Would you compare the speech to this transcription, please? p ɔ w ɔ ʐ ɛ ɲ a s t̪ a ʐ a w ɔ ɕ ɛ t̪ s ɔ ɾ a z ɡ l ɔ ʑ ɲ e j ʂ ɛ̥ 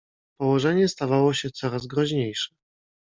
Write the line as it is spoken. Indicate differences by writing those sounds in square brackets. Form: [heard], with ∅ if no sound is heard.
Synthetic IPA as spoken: p ɔ w ɔ ʐ ɛ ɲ [ɛ] s t̪ a [v] a w ɔ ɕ ɛ t̪ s ɔ ɾ a z ɡ [ɾ] ɔ ʑ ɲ e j ʂ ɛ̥